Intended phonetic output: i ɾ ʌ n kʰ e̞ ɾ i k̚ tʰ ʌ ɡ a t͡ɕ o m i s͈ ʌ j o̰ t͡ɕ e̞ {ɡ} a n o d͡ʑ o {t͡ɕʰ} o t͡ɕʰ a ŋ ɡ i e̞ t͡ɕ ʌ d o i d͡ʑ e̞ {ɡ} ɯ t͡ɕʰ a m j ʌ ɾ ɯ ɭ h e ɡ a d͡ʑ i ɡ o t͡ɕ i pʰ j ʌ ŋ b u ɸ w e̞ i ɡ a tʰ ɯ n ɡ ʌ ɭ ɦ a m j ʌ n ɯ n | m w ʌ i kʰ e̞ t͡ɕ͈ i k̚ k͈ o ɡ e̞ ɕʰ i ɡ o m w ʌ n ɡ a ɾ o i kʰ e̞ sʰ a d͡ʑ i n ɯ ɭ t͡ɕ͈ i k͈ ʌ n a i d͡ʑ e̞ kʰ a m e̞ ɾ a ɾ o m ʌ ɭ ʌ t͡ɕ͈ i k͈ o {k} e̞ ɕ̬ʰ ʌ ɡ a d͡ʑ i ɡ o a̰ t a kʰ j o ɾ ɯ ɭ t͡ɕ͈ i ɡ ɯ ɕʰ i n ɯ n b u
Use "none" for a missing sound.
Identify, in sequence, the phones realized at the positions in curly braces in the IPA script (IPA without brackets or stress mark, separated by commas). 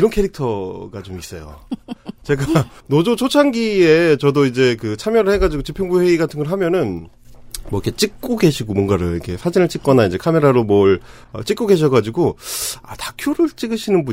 ɡ, t͡ɕʰ, k, ɡ